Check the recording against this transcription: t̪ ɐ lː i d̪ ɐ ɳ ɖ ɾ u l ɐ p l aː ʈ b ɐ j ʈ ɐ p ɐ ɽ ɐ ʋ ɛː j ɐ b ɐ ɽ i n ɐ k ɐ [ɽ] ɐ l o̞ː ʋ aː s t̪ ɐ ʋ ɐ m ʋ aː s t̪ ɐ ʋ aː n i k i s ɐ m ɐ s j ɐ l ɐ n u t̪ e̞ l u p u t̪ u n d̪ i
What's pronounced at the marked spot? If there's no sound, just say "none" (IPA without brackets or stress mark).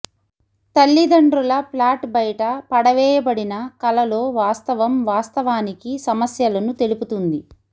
l